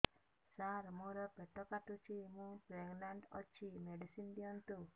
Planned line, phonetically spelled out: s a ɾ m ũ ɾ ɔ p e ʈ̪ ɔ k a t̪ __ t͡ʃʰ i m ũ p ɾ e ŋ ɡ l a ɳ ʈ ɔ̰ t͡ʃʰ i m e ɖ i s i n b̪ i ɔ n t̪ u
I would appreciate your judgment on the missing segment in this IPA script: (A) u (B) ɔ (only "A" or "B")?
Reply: A